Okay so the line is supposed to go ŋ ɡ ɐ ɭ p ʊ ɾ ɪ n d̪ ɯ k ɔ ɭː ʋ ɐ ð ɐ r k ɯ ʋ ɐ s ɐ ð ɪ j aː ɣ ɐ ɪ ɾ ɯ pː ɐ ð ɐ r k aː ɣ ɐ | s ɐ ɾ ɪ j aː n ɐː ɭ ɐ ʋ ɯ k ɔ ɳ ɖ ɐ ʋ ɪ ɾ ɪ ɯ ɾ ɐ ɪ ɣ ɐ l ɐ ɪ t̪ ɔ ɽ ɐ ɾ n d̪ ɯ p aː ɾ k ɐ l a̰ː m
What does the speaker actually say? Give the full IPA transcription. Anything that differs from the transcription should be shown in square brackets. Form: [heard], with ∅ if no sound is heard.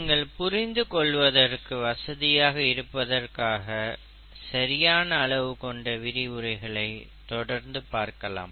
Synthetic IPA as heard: ŋ ɡ ɐ ɭ p ʊ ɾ ɪ n d̪ ɯ k ɔ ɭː ʋ ɐ ð ɐ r k ɯ ʋ ɐ s ɐ ð ɪ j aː ɣ ɐ ɪ ɾ ɯ pː ɐ ð ɐ r k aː ɣ ɐ | s ɐ ɾ ɪ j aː n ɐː ɭ ɐ ʋ ɯ k ɔ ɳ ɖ ɐ ʋ ɪ ɾ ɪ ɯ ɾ ɐ ɪ ɣ ɐ [ɭ] ɐ ɪ t̪ ɔ ɽ ɐ ɾ n d̪ ɯ p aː ɾ k ɐ l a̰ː m